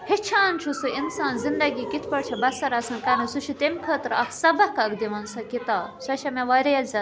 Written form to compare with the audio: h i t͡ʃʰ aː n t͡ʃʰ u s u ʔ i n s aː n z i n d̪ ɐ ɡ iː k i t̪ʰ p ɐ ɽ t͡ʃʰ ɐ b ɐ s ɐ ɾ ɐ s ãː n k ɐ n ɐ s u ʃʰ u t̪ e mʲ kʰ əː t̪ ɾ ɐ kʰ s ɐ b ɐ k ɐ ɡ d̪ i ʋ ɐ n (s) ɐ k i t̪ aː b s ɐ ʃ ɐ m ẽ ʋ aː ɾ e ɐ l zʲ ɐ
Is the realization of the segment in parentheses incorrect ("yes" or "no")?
no